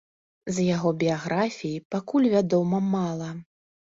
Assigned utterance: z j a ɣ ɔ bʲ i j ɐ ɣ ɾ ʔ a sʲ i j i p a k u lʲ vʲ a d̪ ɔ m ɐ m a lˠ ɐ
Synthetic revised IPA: z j a ɣ ɔ bʲ i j a ɣ ɾ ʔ a fʲ i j i p a k u lʲ vʲ a d̪ ɔ m ɐ m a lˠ ɐ